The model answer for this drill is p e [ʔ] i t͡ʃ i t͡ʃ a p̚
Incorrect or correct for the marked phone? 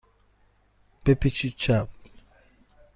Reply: incorrect: p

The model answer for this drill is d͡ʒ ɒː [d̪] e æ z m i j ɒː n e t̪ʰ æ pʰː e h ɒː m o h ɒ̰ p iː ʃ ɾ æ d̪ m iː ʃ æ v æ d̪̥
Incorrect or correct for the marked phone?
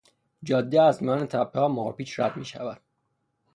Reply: incorrect: d̪ː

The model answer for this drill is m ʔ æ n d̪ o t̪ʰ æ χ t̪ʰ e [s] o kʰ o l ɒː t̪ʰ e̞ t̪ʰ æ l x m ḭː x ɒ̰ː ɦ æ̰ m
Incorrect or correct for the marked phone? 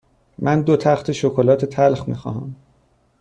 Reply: incorrect: ʃ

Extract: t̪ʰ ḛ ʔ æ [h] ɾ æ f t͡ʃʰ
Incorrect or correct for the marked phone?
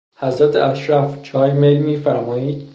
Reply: incorrect: ʃ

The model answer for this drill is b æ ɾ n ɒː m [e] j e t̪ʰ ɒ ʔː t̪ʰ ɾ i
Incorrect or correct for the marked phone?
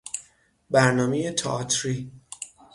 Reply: correct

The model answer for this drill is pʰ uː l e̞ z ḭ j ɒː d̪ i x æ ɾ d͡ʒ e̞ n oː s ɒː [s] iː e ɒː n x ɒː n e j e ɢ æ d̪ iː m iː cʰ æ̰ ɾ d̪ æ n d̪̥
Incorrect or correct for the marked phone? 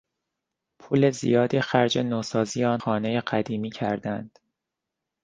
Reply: incorrect: z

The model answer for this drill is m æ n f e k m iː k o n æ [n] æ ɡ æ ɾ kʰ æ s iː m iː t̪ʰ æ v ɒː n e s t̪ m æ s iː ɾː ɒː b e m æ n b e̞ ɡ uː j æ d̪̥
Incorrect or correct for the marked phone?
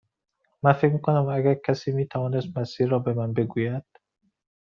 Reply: incorrect: m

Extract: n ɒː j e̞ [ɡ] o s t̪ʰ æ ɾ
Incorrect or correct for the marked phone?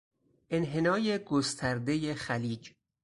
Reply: correct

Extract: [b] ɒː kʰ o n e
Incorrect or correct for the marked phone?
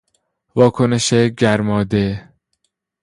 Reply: incorrect: v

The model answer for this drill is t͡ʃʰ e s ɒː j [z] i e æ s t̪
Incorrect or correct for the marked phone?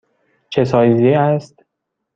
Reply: correct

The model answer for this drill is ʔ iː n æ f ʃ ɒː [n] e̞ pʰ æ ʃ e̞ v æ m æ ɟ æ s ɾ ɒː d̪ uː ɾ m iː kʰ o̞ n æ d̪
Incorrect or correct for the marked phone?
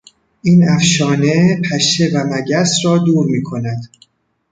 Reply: correct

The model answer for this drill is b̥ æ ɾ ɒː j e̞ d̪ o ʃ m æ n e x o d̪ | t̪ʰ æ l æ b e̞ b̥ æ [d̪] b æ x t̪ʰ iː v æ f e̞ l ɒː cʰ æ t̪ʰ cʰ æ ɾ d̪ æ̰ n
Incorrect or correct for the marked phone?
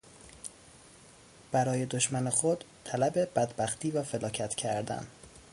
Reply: correct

